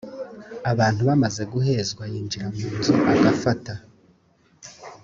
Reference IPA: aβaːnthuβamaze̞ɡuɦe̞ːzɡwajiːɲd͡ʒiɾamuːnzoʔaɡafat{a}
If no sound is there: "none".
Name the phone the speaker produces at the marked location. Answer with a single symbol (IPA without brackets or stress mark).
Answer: a